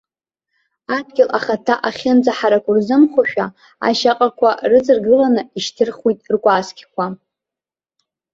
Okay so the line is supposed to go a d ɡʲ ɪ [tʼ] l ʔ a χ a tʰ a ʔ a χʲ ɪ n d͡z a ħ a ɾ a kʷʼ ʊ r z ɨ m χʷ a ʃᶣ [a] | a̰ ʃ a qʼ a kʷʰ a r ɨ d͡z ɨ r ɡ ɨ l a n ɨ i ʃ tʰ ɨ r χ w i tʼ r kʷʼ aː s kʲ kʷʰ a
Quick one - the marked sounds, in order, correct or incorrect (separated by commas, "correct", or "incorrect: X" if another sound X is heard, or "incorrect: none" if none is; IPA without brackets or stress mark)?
incorrect: none, correct